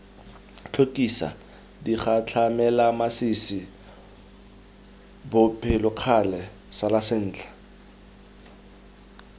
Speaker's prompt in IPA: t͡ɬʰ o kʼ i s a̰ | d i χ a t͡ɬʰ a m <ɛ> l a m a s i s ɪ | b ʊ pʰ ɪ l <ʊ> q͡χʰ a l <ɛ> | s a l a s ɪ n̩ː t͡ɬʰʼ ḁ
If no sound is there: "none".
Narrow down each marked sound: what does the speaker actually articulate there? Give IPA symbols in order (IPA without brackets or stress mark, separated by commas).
ɛ, ʊ, ɛ